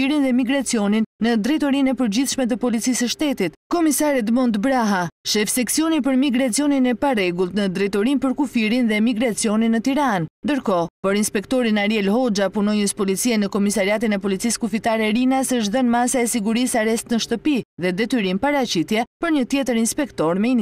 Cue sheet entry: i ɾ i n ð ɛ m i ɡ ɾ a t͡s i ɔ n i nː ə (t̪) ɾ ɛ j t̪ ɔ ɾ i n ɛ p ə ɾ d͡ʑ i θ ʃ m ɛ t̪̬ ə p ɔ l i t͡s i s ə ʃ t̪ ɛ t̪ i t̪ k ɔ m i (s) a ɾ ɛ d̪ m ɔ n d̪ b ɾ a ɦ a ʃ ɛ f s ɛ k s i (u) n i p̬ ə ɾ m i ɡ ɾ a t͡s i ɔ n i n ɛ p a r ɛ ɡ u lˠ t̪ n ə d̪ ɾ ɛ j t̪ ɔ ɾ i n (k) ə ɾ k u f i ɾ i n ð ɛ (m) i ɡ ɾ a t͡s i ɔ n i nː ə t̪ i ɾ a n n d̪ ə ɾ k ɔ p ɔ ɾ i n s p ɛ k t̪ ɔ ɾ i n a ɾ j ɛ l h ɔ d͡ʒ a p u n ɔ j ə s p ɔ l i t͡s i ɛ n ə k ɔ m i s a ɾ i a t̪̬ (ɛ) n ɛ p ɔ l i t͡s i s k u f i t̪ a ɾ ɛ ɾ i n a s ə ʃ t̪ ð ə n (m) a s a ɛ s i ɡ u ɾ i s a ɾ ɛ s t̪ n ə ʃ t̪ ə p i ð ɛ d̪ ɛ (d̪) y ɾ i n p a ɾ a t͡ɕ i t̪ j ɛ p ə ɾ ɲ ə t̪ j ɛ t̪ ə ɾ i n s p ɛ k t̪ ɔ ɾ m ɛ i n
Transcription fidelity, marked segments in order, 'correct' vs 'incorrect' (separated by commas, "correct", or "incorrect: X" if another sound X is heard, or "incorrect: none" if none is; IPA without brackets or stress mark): incorrect: d̪, correct, incorrect: ɔ, incorrect: p, correct, incorrect: i, correct, incorrect: t̪